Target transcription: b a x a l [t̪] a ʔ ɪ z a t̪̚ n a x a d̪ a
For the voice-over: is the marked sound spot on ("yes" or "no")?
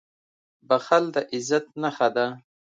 no